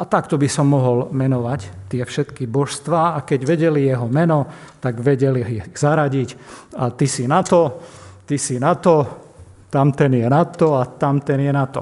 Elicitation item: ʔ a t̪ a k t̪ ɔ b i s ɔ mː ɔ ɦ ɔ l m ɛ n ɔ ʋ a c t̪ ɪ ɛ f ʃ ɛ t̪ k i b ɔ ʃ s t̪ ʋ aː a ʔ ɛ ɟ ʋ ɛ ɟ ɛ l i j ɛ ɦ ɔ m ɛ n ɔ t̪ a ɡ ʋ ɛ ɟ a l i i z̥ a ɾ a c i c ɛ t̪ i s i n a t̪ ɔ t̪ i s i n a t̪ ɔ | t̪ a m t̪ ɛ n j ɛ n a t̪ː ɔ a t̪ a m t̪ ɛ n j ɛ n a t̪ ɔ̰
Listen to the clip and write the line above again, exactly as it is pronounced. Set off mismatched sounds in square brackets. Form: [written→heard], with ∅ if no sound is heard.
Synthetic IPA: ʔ a t̪ a k t̪ ɔ b i s ɔ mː ɔ ɦ ɔ l m ɛ n ɔ ʋ a c t̪ ɪ ɛ f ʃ ɛ t̪ k i b ɔ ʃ s t̪ ʋ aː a [ʔ→k] ɛ ɟ ʋ ɛ ɟ ɛ l i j ɛ ɦ ɔ m ɛ n ɔ t̪ a ɡ ʋ ɛ ɟ [a→ɛ] l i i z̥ a ɾ a [c→ɟ] i c [ɛ→a] t̪ i s i n a t̪ ɔ t̪ i s i n a t̪ ɔ | t̪ a m t̪ ɛ n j ɛ n a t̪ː ɔ a t̪ a m t̪ ɛ n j ɛ n a t̪ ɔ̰